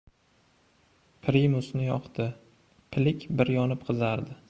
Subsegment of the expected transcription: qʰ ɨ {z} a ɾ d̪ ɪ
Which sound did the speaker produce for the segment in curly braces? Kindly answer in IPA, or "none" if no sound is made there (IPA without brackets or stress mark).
z